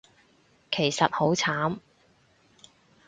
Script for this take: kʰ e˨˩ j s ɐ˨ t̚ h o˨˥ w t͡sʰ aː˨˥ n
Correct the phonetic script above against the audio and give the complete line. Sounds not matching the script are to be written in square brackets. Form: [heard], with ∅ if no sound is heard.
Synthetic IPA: kʰ e˨˩ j s ɐ˨ t̚ h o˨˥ w t͡sʰ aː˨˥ [m]